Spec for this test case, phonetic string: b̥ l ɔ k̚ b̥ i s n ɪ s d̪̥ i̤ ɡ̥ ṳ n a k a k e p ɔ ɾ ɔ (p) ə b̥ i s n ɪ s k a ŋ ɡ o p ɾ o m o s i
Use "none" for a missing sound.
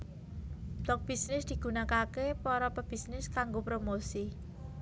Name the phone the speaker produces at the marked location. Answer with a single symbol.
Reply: p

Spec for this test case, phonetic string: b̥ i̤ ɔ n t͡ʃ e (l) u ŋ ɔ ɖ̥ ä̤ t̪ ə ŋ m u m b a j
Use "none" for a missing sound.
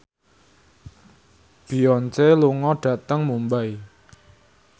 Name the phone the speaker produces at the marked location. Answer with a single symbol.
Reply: l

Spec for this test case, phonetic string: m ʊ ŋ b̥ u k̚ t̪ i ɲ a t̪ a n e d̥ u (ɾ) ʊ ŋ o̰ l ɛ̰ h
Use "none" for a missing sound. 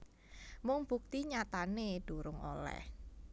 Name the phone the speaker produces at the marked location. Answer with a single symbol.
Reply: ɾ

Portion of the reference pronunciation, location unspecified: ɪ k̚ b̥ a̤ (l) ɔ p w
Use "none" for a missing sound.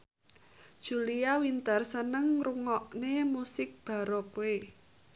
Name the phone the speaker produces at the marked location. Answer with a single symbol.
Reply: ɾ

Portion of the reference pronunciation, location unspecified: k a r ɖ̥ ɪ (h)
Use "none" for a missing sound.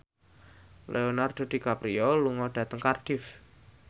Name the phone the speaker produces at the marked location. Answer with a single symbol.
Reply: f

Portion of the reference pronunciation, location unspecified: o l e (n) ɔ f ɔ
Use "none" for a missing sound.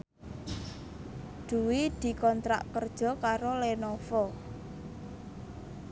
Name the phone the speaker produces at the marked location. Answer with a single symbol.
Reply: n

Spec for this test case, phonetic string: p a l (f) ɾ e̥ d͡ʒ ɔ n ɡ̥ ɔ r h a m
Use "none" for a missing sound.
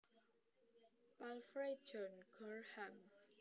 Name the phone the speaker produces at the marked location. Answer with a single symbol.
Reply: f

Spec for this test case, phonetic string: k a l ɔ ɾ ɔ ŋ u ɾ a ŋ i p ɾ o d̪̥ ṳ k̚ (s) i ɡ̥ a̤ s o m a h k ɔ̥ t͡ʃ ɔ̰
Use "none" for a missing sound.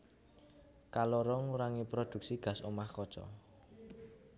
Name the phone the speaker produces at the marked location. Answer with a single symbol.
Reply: s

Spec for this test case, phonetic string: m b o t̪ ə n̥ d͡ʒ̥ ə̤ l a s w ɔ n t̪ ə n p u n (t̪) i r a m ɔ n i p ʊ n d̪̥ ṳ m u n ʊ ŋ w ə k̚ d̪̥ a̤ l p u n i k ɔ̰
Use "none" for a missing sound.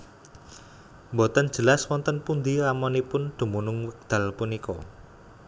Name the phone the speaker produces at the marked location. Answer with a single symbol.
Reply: d̪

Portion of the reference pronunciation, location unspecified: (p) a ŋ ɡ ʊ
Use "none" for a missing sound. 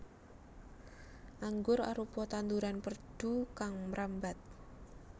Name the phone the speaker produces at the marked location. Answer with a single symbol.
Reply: ʔ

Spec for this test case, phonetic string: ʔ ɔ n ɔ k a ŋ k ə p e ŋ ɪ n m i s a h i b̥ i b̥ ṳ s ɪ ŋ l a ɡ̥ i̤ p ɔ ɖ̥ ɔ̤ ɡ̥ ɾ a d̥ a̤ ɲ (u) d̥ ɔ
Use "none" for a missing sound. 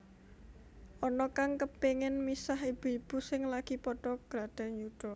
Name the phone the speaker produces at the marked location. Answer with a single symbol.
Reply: u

